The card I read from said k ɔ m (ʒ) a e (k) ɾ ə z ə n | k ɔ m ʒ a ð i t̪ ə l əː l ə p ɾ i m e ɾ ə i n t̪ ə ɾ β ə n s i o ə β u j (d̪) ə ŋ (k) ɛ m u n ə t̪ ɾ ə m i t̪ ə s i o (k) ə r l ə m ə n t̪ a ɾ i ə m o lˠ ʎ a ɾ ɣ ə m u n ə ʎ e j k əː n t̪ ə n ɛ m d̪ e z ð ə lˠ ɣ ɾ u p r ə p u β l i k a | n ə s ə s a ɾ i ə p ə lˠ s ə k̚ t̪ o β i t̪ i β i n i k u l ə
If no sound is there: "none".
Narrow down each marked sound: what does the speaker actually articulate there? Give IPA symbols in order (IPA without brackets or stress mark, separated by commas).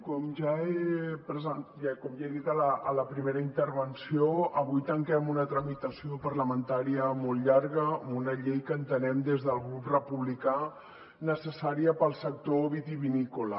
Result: ʒ, p, t̪, k, p